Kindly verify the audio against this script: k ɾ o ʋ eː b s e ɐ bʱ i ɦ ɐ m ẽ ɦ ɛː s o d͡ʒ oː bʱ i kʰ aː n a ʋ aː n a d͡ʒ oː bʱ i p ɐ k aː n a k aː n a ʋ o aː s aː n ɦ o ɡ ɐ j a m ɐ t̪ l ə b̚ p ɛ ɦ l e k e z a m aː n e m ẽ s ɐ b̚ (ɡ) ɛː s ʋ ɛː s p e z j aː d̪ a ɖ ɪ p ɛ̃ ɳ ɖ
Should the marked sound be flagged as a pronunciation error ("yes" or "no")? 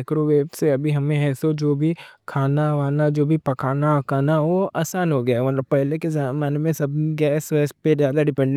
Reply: no